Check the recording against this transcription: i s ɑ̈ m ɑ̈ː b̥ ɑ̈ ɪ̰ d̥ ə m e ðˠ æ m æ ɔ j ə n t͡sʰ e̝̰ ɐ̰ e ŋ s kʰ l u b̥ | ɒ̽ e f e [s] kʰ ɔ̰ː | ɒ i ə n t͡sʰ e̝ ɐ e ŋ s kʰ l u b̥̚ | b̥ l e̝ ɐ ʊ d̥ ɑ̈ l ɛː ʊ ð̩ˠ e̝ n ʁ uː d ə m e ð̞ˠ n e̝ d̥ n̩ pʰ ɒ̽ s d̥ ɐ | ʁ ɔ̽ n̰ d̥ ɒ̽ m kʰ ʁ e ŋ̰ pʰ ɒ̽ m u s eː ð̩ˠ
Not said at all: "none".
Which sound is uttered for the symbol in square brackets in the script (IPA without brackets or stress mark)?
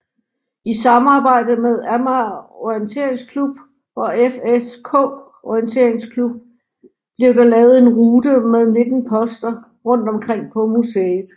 s